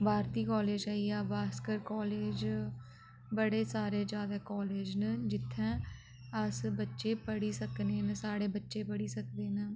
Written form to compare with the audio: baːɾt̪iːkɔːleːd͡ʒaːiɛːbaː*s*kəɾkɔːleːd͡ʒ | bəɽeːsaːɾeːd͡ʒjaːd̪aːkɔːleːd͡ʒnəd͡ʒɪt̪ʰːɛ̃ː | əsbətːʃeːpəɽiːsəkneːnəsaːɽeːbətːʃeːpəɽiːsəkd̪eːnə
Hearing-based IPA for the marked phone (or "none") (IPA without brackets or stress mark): s